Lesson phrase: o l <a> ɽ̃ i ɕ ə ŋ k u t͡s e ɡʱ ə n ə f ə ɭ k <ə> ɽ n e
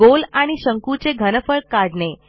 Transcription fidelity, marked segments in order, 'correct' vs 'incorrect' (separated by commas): correct, incorrect